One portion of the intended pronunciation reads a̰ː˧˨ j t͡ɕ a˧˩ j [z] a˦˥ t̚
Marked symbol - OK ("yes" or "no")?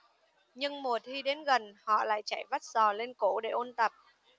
no